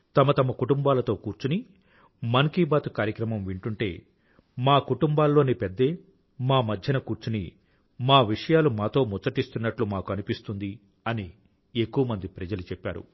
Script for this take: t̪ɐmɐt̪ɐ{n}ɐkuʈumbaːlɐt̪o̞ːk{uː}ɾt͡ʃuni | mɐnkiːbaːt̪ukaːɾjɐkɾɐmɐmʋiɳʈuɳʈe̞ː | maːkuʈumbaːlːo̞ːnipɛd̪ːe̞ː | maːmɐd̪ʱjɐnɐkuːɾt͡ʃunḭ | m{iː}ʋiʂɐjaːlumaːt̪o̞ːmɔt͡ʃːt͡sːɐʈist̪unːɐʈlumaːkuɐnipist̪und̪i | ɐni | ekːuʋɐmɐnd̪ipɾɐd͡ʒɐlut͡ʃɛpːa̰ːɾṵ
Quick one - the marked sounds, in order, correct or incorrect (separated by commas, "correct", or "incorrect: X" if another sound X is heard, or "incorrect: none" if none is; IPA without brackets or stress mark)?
incorrect: m, correct, incorrect: aː